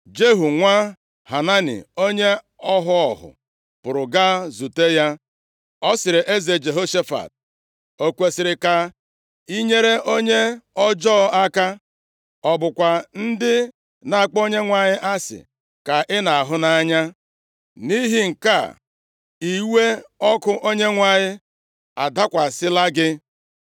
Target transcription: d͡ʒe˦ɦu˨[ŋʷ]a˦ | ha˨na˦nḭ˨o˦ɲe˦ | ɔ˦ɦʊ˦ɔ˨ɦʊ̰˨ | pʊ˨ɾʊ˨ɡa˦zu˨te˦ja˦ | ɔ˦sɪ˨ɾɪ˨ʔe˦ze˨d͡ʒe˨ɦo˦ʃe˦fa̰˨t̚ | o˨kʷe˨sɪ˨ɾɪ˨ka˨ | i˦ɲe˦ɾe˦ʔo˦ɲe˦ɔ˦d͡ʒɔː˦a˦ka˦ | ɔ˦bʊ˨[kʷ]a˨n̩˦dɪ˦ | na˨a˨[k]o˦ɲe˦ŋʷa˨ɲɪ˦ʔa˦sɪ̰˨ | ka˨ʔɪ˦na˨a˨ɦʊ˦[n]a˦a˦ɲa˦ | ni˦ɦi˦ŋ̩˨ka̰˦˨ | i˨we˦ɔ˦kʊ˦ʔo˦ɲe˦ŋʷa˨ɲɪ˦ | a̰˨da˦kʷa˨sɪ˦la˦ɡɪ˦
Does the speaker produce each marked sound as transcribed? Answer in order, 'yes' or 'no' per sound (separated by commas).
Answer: yes, yes, no, yes